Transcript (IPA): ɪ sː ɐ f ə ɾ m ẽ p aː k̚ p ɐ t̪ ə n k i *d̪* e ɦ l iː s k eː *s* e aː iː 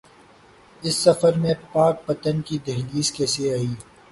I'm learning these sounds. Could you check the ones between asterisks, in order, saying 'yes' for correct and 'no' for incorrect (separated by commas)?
yes, yes